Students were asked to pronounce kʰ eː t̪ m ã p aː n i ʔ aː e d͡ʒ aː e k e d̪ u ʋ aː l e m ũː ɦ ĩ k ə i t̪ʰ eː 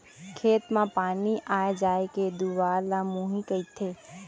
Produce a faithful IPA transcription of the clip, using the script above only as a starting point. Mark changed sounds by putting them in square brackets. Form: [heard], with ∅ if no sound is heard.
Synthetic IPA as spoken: kʰ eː t̪ m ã p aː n i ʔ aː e d͡ʒ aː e k e d̪ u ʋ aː l [a] m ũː ɦ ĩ k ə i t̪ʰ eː